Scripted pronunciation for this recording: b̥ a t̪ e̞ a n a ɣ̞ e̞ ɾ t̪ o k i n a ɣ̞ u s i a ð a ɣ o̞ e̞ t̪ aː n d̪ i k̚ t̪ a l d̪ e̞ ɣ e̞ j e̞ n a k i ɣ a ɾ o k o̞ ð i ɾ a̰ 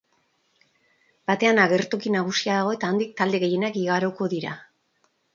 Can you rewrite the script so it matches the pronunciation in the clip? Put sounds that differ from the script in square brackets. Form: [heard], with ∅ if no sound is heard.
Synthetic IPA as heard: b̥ a t̪ e̞ a n a ɣ̞ e̞ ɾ t̪ o k i n a ɣ̞ u s i a ð a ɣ o̞ e̞ t̪ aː n d̪ i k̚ t̪ a l d̪ e̞ ɣ e̞ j e̞ n a k i ɣ a ɾ o k o̞ ð i ɾ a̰

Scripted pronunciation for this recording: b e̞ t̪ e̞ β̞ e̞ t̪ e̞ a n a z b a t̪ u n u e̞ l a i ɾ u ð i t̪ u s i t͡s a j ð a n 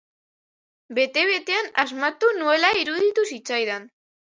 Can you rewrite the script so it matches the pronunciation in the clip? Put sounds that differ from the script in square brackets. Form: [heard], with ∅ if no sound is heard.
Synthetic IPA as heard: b e̞ t̪ e̞ β̞ e̞ t̪ e̞ a n a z [m] a t̪ u n u e̞ l a i ɾ u ð i t̪ u s i t͡s a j ð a n

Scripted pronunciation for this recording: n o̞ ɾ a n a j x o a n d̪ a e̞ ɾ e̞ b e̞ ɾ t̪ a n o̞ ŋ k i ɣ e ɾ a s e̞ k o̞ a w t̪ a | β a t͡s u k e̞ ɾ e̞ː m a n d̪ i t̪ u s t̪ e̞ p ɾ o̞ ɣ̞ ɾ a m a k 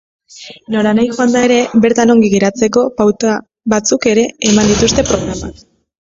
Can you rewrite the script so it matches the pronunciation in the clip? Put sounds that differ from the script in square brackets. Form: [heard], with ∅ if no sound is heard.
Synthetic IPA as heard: n o̞ ɾ a n a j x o a n d̪ a e̞ ɾ e̞ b e̞ ɾ t̪ a n o̞ ŋ [ɡ] i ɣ e ɾ a [t͡s] e̞ k o̞ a w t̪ a | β a t͡s u k e̞ ɾ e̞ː m a n d̪ i t̪ u s t̪ e̞ p ɾ o̞ ɣ̞ ɾ a m a k

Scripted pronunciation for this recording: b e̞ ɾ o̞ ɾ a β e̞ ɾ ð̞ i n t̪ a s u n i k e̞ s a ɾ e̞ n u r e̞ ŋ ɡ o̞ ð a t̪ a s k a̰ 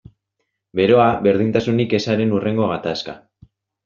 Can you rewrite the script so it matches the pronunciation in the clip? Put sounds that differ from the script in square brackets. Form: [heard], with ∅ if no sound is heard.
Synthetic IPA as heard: b e̞ ɾ o̞ [∅] a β e̞ ɾ ð̞ i n t̪ a s u n i k e̞ s a ɾ e̞ n u r e̞ ŋ ɡ o̞ [ɣ] a t̪ a s k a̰

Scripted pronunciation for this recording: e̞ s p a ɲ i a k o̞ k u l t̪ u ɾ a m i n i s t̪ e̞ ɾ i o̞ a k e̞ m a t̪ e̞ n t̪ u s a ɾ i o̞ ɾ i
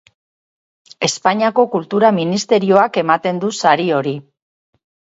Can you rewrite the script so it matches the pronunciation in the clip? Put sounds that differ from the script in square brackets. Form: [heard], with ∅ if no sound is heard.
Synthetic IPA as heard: e̞ s p a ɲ i a k o̞ k u l t̪ u ɾ a m i n i s t̪ e̞ ɾ i o̞ a k e̞ m a t̪ e̞ n [d̪] u s a ɾ i o̞ ɾ i

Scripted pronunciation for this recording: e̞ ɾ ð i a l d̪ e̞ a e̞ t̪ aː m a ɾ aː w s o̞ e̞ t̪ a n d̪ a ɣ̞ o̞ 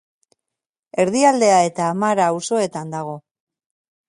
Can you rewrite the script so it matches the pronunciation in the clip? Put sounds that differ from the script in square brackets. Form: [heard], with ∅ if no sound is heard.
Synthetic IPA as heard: e̞ ɾ ð i a l d̪ e̞ a e̞ t̪ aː m a ɾ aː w s o̞ e̞ t̪ a n d̪ a ɣ̞ o̞

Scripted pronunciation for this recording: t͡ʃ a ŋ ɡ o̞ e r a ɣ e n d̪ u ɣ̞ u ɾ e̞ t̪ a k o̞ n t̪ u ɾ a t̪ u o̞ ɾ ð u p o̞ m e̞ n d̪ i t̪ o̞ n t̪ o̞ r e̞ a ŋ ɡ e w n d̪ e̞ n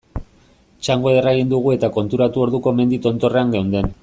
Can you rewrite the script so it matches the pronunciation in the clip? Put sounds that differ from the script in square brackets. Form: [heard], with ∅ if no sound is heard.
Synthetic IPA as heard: t͡ʃ a ŋ ɡ o̞ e r a ɣ [i] n d̪ u ɣ̞ u [∅] e̞ t̪ a k o̞ n t̪ u ɾ a t̪ u o̞ ɾ ð u [k] o̞ m e̞ n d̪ i t̪ o̞ n t̪ o̞ r e̞ a ŋ ɡ e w n d̪ e̞ n

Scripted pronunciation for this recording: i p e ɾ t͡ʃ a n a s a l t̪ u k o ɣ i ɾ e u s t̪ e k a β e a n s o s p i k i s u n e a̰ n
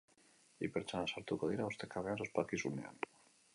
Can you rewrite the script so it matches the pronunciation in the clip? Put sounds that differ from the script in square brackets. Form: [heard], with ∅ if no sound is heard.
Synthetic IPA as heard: i p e ɾ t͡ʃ a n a s a [ɾ] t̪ u k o [ð] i ɾ [a] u s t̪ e k a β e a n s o s p [a] k i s u n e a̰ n

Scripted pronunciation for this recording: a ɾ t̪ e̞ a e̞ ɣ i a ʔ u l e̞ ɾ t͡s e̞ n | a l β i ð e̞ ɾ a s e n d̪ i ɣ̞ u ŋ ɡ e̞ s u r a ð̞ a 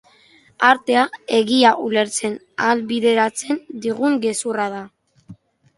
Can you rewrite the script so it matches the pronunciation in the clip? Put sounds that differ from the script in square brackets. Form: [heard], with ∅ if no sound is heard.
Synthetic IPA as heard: a ɾ t̪ e̞ a e̞ ɣ i a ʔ u l e̞ ɾ t͡s e̞ n | a l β i ð e̞ ɾ a [t͡s] e n d̪ i ɣ̞ u ŋ ɡ e̞ s u r a ð̞ a

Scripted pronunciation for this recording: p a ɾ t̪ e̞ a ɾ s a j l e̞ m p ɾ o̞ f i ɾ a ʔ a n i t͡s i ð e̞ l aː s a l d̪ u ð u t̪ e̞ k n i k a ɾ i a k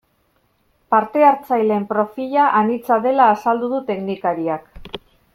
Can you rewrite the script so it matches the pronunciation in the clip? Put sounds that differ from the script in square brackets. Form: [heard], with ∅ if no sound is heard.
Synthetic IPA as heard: p a ɾ t̪ e̞ a ɾ [t͡s] a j l e̞ m p ɾ o̞ f i [ʎ] a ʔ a n i t͡s [a] ð e̞ l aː s a l d̪ u ð u t̪ e̞ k n i k a ɾ i a k

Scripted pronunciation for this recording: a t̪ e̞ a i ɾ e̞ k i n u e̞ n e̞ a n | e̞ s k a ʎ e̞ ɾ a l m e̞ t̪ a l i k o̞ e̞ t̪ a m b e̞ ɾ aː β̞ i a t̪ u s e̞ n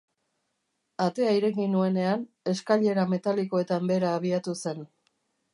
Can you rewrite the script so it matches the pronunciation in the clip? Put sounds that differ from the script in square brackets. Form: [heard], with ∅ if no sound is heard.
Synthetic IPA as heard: a t̪ e̞ a i ɾ e̞ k i n u e̞ n e̞ a n | e̞ s k a ʎ e̞ ɾ a [∅] m e̞ t̪ a l i k o̞ e̞ t̪ a m b e̞ ɾ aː β̞ i a t̪ u s e̞ n

